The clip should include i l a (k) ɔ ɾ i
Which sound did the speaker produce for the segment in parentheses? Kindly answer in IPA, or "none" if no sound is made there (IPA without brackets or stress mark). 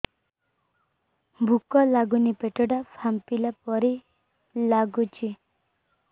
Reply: p